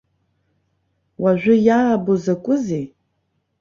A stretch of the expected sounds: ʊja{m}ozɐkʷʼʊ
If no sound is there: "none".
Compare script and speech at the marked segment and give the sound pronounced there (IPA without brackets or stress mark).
b